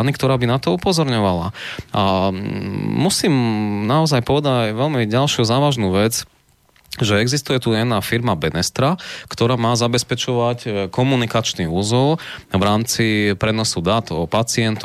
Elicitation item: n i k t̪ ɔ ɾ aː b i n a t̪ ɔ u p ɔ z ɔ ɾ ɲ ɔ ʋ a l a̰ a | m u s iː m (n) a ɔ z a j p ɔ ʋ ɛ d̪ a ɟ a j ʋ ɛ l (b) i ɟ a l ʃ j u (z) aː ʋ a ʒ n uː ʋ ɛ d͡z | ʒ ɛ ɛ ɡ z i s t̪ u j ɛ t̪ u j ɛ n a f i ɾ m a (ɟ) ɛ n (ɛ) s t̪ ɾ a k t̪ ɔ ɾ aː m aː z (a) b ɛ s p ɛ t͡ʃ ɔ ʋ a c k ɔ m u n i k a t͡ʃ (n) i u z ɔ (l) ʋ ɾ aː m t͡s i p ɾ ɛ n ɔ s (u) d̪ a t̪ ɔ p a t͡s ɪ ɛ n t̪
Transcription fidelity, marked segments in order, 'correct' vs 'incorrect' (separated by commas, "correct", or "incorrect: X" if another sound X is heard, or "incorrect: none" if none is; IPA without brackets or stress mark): correct, incorrect: m, correct, incorrect: b, correct, correct, correct, correct, correct